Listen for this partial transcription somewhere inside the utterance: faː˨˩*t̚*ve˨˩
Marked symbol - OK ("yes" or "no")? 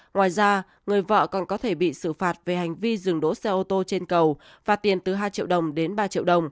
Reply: yes